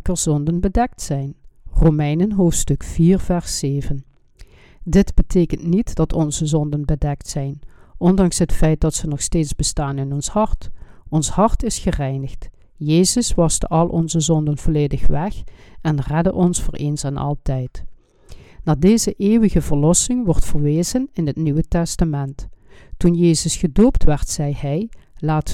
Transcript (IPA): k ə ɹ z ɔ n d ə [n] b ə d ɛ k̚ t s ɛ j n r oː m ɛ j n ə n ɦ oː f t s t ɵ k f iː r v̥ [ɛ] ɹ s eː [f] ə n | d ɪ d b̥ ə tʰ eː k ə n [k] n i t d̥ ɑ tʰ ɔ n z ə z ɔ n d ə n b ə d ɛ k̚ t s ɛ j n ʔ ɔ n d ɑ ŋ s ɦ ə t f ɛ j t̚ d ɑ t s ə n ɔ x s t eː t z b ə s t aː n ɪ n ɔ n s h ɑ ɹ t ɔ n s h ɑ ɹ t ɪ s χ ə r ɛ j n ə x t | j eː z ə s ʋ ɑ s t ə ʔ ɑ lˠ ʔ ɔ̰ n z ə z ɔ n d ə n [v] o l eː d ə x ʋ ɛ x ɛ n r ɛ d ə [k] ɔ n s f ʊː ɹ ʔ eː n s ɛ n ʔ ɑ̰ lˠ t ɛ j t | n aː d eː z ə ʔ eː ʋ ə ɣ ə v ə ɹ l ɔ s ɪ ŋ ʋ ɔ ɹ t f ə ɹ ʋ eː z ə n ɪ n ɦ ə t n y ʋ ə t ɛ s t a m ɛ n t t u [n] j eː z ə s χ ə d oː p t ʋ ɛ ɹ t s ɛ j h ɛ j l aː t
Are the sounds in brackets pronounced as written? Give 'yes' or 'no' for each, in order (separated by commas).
yes, yes, no, no, yes, no, yes